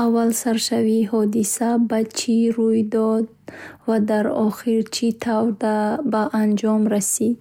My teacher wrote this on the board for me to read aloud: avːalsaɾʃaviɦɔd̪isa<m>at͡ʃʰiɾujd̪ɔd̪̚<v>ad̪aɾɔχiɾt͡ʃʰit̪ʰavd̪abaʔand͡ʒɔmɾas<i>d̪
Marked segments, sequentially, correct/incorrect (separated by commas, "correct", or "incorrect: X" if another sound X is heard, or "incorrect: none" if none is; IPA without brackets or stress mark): incorrect: b, correct, correct